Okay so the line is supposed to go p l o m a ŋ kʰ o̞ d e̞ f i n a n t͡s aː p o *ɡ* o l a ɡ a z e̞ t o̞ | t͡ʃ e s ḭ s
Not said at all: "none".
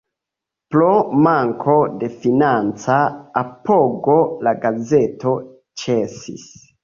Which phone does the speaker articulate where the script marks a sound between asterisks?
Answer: ɡ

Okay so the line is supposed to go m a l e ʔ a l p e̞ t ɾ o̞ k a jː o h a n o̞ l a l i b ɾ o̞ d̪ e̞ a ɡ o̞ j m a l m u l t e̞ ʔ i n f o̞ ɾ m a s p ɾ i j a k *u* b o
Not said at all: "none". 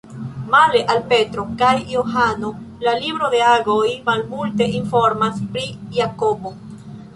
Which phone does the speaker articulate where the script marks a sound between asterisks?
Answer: o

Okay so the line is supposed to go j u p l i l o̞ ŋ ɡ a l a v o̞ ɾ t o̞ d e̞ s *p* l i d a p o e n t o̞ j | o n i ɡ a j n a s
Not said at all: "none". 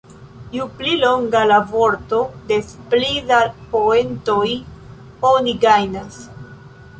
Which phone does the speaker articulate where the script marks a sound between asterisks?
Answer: p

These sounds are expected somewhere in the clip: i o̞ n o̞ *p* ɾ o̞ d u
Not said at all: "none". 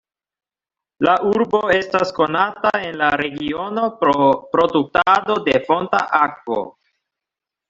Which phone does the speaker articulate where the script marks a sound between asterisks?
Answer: p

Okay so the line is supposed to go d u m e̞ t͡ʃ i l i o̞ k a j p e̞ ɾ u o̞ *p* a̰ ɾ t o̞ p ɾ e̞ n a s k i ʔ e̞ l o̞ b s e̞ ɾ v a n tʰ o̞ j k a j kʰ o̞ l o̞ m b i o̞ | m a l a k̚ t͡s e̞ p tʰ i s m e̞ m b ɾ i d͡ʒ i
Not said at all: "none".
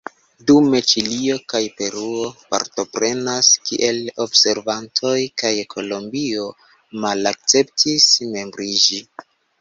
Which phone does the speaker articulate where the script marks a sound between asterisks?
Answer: p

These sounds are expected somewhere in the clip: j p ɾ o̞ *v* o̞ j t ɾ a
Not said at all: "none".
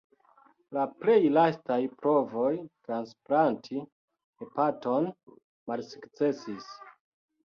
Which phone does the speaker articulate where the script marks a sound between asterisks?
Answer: v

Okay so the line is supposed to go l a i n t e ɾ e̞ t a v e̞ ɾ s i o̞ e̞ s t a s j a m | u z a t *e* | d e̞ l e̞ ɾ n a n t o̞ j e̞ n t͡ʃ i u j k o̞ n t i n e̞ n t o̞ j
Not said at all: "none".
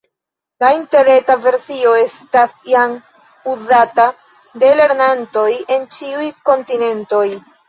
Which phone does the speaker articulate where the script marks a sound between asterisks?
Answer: a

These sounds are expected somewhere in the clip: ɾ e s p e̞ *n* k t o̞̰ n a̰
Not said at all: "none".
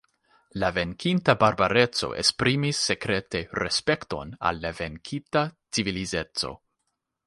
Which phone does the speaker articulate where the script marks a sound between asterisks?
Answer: none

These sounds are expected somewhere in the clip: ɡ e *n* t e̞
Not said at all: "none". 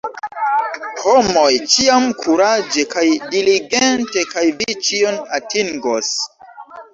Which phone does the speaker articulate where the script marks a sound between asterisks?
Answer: n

